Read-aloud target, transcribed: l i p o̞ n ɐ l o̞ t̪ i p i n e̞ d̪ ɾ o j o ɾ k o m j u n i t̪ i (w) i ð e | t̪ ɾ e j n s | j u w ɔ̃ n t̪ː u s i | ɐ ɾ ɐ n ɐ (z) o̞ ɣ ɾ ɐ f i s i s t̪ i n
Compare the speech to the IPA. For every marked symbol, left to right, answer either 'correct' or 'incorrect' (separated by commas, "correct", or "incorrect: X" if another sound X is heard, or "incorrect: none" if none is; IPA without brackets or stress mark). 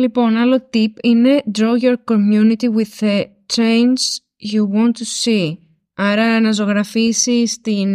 correct, correct